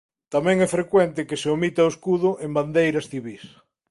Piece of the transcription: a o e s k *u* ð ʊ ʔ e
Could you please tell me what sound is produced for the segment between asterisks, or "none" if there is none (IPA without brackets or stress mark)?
u